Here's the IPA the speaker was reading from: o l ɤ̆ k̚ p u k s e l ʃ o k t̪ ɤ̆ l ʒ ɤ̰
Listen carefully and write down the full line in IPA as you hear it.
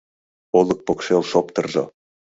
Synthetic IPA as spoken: o l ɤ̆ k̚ p o k ʃ e l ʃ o p t̪ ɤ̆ r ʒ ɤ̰